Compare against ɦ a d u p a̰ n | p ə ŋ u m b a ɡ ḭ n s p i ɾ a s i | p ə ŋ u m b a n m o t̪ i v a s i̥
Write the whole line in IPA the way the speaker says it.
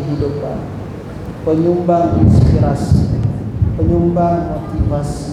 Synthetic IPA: ɦ i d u p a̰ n | p ə ɲ u m b a ŋ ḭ n s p i ɾ a s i | p ə ɲ u m b a ŋ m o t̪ i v a s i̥